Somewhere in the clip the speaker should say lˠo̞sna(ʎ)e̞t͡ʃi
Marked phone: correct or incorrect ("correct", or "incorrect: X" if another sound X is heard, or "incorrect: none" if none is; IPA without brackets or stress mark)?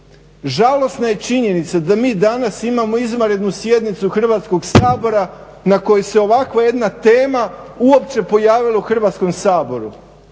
incorrect: j